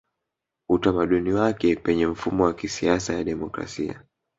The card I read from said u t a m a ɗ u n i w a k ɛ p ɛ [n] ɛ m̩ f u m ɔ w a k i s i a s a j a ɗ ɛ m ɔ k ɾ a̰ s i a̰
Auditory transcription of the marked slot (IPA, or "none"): ɲ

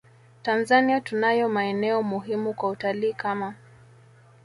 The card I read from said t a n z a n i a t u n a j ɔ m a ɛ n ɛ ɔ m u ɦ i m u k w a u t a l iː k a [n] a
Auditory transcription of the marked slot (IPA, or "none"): m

